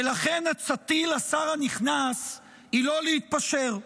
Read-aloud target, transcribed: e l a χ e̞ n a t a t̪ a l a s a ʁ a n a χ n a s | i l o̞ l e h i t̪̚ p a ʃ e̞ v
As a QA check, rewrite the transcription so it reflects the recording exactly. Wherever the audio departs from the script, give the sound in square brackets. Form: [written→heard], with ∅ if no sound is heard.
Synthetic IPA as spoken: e l a χ e̞ n a [t→t͡s] a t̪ [a→i] l a s a ʁ a n [a→i] χ n a s | i l o̞ l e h i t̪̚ p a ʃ e̞ [v→ʁ]